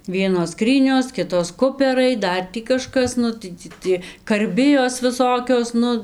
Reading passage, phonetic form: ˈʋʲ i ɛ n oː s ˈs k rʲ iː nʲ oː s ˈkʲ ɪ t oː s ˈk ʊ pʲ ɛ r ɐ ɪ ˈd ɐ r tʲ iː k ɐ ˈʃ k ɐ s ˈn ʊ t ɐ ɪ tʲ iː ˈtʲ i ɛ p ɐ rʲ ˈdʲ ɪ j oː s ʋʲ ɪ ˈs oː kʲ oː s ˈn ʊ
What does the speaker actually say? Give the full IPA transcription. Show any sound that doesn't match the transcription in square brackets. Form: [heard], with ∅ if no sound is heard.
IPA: ˈʋʲ i ɛ n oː s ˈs k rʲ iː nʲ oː s ˈkʲ ɪ t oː s ˈk ʊ pʲ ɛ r ɐ ɪ ˈd ɐ r tʲ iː k ɐ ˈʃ k ɐ s ˈn ʊ t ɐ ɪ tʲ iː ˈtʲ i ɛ [k] ɐ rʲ [ˈbʲ] ɪ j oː s ʋʲ ɪ ˈs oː kʲ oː s ˈn ʊ